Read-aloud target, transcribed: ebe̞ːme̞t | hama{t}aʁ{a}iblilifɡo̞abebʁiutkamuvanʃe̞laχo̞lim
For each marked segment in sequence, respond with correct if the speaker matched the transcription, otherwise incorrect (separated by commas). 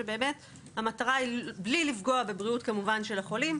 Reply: correct, correct